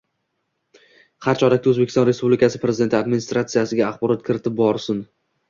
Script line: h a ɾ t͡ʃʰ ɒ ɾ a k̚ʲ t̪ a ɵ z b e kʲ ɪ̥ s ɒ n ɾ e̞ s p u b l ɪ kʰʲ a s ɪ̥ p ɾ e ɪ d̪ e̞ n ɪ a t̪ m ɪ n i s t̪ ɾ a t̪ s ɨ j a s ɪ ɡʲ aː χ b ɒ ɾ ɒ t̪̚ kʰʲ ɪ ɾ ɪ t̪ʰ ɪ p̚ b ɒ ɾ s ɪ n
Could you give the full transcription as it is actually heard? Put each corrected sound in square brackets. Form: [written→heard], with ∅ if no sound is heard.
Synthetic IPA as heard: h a ɾ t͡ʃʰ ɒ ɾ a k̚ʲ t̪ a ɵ z b e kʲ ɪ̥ s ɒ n ɾ e̞ s p u b l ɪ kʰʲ a s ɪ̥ p ɾ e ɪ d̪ e̞ n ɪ a [t̪→d̪] m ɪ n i s t̪ ɾ a t̪ s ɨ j a s ɪ ɡʲ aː χ b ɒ ɾ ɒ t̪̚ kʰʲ ɪ ɾ ɪ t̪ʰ ɪ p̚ b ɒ ɾ s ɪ n

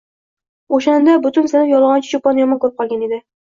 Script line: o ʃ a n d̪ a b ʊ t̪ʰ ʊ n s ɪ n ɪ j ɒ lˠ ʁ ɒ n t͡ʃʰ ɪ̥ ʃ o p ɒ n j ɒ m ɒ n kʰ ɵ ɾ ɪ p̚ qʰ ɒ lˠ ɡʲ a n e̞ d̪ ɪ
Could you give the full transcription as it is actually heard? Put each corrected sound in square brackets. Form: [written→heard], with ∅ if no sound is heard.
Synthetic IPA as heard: o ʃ a n d̪ a b ʊ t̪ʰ ʊ n s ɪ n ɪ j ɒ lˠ ʁ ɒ n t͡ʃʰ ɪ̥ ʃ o p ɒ n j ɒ m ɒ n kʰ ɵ ɾ ɪ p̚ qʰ ɒ lˠ ɡʲ a n e̞ d̪ ɪ

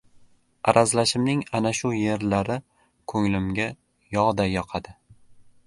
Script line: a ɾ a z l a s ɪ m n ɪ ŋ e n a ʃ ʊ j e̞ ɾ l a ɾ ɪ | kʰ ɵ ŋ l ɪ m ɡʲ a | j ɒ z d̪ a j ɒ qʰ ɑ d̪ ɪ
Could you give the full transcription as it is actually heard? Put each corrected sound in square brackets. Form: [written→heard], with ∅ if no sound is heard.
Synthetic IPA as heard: a ɾ a z l a [s→ʃ] ɪ m n ɪ ŋ [e→a] n a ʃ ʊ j e̞ ɾ l a ɾ ɪ | kʰ ɵ ŋ l ɪ m ɡʲ a | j ɒ [z→ʁ] d̪ a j ɒ qʰ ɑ d̪ ɪ

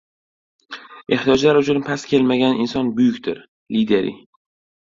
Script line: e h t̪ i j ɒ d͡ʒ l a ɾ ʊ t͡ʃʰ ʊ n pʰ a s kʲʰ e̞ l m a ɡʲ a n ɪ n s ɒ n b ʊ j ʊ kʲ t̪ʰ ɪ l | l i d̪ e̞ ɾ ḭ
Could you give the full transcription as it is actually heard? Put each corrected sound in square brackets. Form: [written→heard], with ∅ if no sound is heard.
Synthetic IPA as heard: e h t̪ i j ɒ d͡ʒ l a ɾ ʊ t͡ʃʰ ʊ n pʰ a s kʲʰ e̞ l m a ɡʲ a n ɪ n s ɒ n b ʊ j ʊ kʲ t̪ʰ ɪ [l→ɾ] | l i d̪ e̞ ɾ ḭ

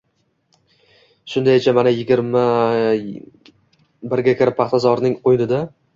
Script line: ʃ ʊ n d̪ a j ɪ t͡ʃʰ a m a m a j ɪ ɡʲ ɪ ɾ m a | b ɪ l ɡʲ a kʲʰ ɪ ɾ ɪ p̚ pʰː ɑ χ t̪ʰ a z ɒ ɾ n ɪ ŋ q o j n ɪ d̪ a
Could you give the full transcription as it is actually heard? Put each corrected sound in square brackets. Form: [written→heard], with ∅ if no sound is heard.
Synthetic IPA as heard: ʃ ʊ n d̪ a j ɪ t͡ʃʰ a m a [m→n] a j ɪ ɡʲ ɪ ɾ m a | b ɪ [l→ɾ] ɡʲ a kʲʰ ɪ ɾ ɪ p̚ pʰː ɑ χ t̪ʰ a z ɒ ɾ n ɪ ŋ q o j n ɪ d̪ a

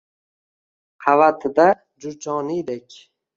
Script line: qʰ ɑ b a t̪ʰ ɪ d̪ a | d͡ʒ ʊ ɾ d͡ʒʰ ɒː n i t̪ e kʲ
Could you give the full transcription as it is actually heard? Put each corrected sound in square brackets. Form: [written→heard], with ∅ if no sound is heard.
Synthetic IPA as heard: qʰ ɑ [b→v] a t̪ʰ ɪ d̪ a | d͡ʒ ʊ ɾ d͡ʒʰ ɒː n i [t̪→d̪] e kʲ

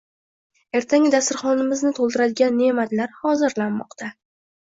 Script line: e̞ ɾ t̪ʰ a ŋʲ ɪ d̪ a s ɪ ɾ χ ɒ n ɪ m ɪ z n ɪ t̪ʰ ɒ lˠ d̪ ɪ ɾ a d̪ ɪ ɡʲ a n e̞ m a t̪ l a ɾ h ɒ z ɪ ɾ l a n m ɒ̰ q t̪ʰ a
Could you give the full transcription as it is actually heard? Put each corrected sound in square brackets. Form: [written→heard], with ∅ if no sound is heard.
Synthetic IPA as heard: e̞ ɾ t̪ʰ a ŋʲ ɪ d̪ a s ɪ ɾ χ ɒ n ɪ m ɪ z n ɪ t̪ʰ [ɒ→o] lˠ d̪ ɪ ɾ a d̪ ɪ ɡʲ a [n→nː] e̞ m a t̪ l a ɾ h ɒ z ɪ ɾ l a n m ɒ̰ q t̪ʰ a

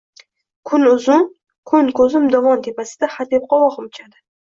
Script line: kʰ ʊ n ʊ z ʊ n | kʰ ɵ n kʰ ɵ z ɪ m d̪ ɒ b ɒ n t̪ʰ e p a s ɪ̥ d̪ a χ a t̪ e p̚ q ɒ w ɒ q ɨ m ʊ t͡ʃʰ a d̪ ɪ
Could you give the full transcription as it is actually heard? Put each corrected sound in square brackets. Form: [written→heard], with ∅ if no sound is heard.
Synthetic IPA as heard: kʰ ʊ n ʊ z ʊ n | kʰ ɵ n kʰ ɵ z ɪ m d̪ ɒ [b→v] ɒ n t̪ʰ e p a s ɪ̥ d̪ a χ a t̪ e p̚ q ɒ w ɒ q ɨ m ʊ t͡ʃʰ a d̪ ɪ

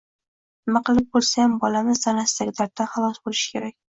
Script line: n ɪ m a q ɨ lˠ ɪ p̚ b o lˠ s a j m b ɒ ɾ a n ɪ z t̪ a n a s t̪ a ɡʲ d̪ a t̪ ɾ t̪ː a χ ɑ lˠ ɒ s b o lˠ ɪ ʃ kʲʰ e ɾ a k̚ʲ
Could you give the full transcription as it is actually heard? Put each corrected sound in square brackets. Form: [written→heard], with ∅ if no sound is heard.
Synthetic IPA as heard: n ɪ m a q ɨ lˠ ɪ p̚ b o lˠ s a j m b ɒ [ɾ→l] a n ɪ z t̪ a n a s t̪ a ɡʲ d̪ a [t̪→∅] ɾ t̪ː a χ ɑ lˠ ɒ s b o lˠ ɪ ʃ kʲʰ e ɾ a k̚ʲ

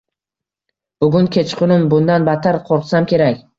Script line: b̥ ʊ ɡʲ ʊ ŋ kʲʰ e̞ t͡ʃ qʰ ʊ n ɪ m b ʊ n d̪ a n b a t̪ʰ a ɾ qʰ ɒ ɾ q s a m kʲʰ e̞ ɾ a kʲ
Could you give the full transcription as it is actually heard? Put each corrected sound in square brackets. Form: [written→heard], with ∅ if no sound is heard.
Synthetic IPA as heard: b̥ ʊ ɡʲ ʊ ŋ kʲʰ e̞ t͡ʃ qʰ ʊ n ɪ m b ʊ n d̪ a n b a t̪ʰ a ɾ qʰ [ɒ→o] ɾ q s a m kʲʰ e̞ ɾ a kʲ

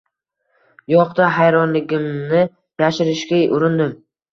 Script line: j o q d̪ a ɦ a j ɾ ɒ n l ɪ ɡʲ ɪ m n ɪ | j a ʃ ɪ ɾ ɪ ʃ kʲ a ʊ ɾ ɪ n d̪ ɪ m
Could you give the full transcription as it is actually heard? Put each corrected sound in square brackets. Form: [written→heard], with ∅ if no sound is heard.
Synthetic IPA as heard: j [o→ɒ] q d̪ a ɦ a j ɾ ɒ n l ɪ ɡʲ ɪ m n ɪ | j a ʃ ɪ ɾ ɪ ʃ kʲ a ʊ ɾ ɪ n d̪ ɪ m

